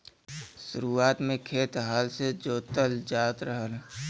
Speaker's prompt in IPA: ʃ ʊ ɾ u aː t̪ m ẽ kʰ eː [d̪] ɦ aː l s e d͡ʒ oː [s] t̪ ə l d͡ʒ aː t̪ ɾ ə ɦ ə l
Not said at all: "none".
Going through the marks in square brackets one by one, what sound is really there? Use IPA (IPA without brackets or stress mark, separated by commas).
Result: t̪, none